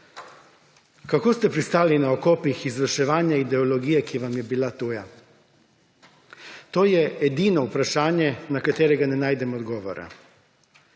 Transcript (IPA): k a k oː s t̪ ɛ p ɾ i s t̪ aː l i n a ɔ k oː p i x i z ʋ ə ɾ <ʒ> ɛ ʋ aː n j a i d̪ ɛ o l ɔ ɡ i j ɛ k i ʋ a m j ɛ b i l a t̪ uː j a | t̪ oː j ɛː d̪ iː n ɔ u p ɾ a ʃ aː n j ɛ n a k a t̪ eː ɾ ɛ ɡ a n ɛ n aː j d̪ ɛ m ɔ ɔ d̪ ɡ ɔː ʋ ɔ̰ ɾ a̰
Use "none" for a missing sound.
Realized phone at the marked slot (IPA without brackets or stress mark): ʃ